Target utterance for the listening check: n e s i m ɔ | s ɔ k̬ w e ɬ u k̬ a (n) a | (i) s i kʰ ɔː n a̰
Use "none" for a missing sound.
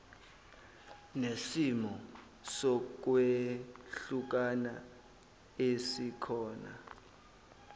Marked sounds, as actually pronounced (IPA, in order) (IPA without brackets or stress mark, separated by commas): n, e